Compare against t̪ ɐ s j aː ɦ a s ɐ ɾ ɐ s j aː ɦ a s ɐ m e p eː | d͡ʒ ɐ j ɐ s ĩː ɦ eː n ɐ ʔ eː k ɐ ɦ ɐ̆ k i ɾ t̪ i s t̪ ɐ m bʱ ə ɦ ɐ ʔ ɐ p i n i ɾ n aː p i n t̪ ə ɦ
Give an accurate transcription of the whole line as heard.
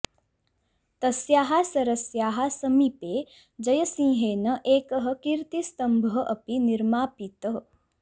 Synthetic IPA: t̪ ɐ s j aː ɦ a s ɐ ɾ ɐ s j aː ɦ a s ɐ m i p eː | d͡ʒ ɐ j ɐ s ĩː ɦ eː n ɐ ʔ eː k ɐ ɦ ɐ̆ k i ɾ t̪ i s t̪ ɐ m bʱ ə ɦ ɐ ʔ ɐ p i n i ɾ m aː p i t̪ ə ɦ